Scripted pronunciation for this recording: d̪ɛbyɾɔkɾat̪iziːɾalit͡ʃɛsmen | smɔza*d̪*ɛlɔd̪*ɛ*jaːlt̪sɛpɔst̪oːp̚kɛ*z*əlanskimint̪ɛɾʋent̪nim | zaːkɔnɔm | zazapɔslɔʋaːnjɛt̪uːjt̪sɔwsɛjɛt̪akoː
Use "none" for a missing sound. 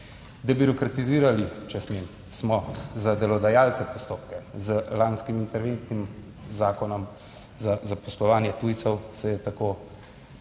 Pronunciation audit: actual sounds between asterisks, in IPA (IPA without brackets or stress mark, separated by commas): d̪, a, z